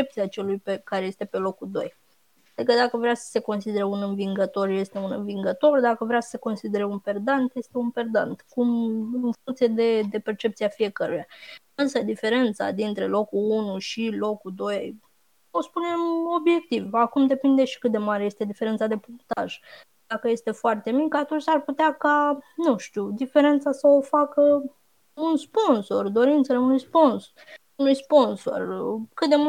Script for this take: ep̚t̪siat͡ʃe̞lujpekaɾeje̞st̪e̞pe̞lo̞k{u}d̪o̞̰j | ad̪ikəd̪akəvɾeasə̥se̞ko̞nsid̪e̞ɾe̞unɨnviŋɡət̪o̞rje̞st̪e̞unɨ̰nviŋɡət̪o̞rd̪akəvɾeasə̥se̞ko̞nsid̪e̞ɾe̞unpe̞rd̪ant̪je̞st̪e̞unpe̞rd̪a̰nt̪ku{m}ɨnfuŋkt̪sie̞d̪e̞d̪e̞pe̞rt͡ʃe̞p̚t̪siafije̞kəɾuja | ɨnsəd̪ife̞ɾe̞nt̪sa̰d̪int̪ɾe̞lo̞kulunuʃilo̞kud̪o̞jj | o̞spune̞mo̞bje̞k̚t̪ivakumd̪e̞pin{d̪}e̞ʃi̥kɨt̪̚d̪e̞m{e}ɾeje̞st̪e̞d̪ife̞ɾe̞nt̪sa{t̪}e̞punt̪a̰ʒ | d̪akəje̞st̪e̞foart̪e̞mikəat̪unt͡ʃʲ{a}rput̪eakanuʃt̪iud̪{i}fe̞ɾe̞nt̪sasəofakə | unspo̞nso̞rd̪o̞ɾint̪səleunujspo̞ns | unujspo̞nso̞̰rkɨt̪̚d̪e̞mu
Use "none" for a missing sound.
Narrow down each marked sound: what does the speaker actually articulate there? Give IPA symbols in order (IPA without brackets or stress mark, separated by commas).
u, m, d̪, a, d̪, a, i